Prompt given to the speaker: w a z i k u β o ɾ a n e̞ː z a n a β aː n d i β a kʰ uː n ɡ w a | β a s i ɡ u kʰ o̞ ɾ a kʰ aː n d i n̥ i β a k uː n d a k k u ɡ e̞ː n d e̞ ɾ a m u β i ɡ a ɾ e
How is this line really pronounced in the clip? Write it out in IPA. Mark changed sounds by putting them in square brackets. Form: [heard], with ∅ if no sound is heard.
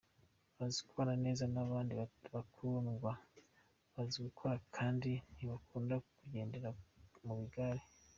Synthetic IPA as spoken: [β] a z i k u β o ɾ a n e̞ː z a n a β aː n d i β a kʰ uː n ɡ w a | β a [z] i ɡ u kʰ o̞ ɾ a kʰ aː n d i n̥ i β a k uː n d a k k u [ɟ] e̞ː n d e̞ ɾ a m u β i ɡ a ɾ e